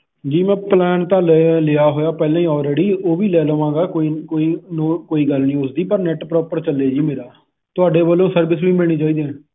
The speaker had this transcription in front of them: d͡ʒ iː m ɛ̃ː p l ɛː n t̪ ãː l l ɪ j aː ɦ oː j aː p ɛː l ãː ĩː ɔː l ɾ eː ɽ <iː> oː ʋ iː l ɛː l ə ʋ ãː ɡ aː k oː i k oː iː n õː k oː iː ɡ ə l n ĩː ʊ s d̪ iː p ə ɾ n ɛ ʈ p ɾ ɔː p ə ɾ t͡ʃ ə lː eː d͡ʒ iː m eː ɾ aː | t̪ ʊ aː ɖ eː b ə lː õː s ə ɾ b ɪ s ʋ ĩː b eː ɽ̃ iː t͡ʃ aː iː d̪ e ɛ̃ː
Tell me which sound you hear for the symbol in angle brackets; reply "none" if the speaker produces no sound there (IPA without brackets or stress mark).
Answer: iː